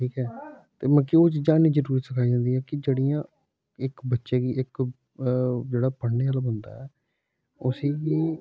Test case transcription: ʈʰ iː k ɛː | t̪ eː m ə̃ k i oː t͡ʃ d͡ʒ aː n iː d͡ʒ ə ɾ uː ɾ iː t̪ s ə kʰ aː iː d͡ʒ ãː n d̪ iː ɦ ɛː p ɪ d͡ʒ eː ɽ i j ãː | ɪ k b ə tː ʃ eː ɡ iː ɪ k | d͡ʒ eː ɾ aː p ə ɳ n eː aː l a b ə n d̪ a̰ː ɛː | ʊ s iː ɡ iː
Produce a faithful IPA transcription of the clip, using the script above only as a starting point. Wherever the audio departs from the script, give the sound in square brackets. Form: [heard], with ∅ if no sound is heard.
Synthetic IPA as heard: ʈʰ iː k ɛː | t̪ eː m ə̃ k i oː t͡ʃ d͡ʒ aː n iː d͡ʒ ə ɾ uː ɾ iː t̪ s ə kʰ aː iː d͡ʒ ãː n d̪ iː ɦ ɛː [k] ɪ d͡ʒ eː ɽ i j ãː | ɪ k b ə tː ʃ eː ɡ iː ɪ k | d͡ʒ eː [ɽ] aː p ə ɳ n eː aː l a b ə n d̪ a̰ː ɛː | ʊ s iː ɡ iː

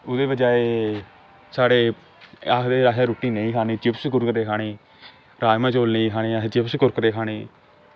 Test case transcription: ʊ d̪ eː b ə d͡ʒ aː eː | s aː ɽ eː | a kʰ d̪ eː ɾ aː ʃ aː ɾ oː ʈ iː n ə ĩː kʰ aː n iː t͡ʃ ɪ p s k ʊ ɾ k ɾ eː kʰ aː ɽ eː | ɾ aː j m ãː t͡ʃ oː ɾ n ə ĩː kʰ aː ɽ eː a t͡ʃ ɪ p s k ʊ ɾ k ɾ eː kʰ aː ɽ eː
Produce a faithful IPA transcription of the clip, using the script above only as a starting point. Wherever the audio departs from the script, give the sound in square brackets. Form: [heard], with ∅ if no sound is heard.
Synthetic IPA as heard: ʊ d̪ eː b ə d͡ʒ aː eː | s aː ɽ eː | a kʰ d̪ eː ɾ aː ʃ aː ɾ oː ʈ iː n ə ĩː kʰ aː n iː t͡ʃ ɪ p s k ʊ ɾ k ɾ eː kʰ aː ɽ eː | ɾ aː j m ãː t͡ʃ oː [l] n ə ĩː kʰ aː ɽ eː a t͡ʃ ɪ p s k ʊ ɾ k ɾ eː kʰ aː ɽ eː

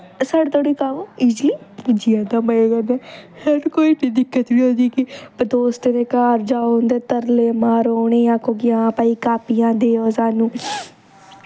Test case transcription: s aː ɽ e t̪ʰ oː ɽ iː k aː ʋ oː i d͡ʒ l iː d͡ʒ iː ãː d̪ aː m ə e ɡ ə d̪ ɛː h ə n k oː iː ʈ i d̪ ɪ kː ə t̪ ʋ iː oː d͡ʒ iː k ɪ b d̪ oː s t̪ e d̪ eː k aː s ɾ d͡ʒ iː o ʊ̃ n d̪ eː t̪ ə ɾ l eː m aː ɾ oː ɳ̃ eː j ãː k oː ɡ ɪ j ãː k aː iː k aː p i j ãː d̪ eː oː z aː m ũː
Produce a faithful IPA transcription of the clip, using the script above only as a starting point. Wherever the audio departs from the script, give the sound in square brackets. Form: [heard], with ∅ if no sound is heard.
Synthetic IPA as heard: s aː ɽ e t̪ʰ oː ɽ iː k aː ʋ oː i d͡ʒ l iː d͡ʒ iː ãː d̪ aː m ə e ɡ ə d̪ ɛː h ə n k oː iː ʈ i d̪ ɪ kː ə t̪ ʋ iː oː d͡ʒ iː k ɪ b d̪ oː s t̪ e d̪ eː k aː [∅] ɾ d͡ʒ [aː] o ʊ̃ n d̪ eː t̪ ə ɾ l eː m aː ɾ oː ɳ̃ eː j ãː k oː ɡ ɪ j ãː [p] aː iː k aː p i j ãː d̪ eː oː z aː [n] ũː

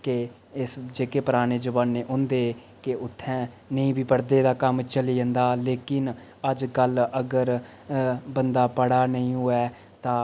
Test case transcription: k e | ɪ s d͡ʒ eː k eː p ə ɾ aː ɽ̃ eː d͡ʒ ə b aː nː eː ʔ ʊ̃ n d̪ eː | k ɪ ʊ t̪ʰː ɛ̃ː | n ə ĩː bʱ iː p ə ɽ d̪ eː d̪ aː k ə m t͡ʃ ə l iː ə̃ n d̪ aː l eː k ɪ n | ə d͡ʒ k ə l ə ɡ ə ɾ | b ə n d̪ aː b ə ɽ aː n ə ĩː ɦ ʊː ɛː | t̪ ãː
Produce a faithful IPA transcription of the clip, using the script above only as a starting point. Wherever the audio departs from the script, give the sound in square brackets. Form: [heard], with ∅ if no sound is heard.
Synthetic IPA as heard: k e | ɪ s d͡ʒ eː k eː p ə ɾ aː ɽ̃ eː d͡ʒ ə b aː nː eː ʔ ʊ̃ n d̪ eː | k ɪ ʊ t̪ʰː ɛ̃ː | n ə ĩː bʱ iː p ə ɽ d̪ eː d̪ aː k ə m t͡ʃ ə l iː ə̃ n d̪ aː l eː k ɪ n | ə d͡ʒ k ə l ə ɡ ə ɾ | b ə n d̪ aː [p] ə ɽ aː n ə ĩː ɦ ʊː ɛː | t̪ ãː

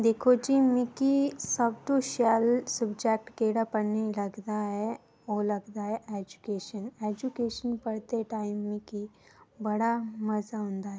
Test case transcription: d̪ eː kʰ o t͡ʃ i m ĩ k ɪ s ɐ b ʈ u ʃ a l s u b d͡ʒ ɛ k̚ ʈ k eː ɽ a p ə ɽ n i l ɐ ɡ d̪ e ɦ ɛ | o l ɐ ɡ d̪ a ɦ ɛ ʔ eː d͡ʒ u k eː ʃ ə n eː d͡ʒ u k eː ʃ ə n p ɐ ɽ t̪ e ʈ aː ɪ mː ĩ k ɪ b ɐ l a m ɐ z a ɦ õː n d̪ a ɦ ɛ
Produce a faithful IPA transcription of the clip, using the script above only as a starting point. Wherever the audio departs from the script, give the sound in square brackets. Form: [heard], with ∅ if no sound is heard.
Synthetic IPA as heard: d̪ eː kʰ o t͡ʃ i m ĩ k [i] s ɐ b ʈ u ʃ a l s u b d͡ʒ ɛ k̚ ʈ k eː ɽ a p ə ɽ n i l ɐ ɡ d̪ [a] ɦ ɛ | o l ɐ ɡ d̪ a ɦ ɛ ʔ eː d͡ʒ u k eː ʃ ə n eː d͡ʒ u k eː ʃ ə n p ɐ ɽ t̪ e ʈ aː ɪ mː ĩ k [i] b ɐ [ɽ] a m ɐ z a ɦ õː n d̪ a ɦ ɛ

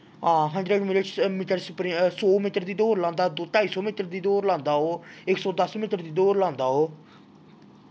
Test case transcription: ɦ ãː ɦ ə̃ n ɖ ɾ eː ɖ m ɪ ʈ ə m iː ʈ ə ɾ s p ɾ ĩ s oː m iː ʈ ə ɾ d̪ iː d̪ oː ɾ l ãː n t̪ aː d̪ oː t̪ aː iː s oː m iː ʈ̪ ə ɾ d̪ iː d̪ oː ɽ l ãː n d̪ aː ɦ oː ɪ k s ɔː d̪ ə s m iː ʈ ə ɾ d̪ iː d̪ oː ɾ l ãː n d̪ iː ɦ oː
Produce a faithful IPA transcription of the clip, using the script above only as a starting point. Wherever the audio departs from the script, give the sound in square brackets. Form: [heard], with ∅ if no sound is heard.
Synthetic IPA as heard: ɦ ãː ɦ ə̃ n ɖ ɾ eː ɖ m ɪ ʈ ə m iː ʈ ə ɾ s p ɾ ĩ s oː m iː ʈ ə ɾ d̪ iː d̪ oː ɾ l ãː n [d̪] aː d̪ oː t̪ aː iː s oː m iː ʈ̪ ə ɾ d̪ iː d̪ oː [ɾ] l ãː n d̪ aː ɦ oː ɪ k s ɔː d̪ ə s m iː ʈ ə ɾ d̪ iː d̪ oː ɾ l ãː n d̪ [aː] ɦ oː

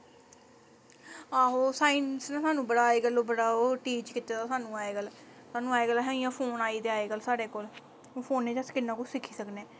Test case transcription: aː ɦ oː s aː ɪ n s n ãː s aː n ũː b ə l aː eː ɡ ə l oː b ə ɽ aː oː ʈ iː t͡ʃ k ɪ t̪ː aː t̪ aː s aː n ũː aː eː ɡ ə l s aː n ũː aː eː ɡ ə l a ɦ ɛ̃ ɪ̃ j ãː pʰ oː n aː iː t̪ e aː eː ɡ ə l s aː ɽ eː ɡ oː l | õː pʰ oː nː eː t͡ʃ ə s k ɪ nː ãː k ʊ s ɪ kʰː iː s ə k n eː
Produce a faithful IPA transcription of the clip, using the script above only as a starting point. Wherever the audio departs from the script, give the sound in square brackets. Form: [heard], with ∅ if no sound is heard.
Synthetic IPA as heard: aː ɦ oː s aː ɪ n s n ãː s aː n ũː b ə [ɽ] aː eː ɡ ə l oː b ə ɽ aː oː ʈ iː t͡ʃ k ɪ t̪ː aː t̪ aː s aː n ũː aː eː ɡ ə l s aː n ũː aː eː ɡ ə l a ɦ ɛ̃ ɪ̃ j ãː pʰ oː n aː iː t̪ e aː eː ɡ ə l s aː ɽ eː [k] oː l | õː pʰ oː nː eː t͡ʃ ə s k ɪ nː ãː k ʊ s ɪ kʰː iː s ə k n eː

